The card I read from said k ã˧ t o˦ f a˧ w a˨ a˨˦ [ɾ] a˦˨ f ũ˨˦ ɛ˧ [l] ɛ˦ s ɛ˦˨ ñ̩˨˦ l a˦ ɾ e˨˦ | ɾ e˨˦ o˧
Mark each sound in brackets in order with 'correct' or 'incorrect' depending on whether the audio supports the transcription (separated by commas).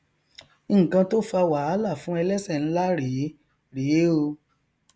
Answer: incorrect, correct